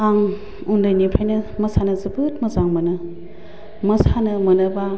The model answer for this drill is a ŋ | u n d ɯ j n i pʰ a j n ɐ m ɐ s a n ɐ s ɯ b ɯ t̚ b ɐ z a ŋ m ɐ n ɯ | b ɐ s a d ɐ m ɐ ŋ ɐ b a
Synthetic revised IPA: a ŋ | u n d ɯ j n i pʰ a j n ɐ m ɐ s a n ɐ z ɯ b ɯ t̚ m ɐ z a ŋ m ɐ n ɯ | m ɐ s a n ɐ m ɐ n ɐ b a